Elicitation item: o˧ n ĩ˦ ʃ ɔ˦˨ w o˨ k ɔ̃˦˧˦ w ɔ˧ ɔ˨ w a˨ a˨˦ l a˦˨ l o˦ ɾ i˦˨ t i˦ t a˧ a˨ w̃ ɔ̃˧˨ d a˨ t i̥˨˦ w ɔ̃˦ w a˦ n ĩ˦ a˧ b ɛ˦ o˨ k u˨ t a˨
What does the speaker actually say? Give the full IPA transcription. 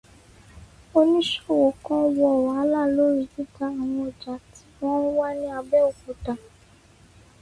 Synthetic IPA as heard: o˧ n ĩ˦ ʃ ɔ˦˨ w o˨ k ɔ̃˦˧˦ w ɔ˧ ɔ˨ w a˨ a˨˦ l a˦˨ l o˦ ɾ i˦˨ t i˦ t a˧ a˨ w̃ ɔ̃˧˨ d͡ʒ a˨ t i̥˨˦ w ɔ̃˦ w a˦ n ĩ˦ a˧ b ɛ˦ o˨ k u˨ t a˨